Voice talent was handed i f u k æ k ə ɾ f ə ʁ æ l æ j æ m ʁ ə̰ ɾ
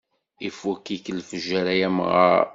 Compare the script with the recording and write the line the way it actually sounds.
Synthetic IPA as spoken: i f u k i k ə l f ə ʒ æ ɾ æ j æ m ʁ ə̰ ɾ